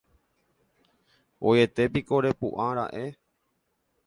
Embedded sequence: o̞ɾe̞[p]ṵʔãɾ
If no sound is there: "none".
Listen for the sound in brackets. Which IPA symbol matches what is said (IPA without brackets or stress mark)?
p